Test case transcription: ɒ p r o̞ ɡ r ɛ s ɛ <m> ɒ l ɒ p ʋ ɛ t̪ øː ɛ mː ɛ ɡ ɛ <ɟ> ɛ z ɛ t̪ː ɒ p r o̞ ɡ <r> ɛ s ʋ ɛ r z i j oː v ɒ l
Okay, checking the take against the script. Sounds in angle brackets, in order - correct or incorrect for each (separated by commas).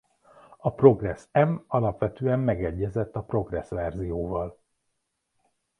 correct, incorrect, correct